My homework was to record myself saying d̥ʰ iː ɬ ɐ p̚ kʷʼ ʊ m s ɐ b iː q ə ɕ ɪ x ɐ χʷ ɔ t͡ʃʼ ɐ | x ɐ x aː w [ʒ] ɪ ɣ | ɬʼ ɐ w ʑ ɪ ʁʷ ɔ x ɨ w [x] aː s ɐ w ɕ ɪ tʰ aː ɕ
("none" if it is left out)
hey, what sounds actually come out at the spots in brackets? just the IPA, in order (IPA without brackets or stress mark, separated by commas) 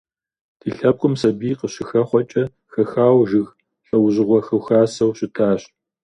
ʒ, x